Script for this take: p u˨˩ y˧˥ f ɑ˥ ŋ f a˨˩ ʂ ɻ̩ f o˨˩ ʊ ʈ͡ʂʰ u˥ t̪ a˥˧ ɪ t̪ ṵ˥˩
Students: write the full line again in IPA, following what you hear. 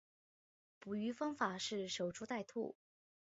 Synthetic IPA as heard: p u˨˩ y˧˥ f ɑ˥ ŋ f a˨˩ ʂ ɻ̩ ʂ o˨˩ ʊ ʈ͡ʂʰ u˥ t̪ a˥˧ ɪ t̪ʰ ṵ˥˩